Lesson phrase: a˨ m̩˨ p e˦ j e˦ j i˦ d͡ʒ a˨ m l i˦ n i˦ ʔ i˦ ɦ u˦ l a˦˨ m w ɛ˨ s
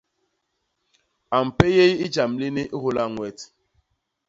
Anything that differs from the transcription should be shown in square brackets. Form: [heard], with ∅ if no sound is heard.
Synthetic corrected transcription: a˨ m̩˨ p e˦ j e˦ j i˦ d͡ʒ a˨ m l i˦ n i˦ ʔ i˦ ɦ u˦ l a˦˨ [ŋ] w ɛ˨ [t]